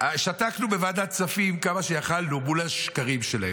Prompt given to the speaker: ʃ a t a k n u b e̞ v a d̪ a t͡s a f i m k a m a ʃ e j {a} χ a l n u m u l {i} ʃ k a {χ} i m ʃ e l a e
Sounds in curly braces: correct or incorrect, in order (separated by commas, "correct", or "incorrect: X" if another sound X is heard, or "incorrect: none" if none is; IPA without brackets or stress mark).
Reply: correct, incorrect: a, incorrect: ʁ